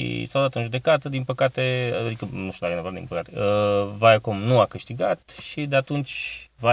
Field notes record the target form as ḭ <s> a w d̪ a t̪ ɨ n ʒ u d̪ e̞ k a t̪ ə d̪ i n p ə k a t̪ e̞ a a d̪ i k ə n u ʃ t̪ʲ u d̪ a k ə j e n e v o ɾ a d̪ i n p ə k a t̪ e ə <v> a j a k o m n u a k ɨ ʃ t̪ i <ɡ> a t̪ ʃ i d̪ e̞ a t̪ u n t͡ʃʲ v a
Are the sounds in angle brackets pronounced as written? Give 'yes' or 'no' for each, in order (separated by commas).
yes, yes, yes